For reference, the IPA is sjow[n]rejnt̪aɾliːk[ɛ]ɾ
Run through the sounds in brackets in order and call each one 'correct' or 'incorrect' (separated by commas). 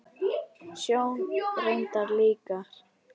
correct, incorrect